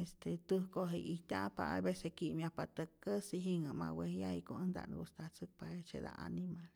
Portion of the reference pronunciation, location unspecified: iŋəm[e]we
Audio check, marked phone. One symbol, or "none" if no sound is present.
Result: a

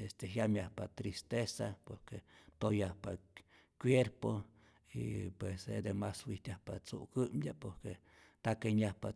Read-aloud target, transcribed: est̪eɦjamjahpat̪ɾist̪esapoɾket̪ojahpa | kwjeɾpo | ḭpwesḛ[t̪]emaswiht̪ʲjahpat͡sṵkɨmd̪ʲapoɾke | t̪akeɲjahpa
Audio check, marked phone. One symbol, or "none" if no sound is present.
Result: d̪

